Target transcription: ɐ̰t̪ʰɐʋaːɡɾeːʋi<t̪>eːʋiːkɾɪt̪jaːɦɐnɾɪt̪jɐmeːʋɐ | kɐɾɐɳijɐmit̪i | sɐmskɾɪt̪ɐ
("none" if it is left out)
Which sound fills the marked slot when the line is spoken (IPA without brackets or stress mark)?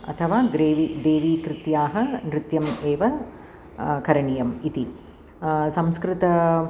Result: d̪